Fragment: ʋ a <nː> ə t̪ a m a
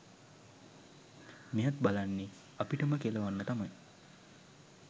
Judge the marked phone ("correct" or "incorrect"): correct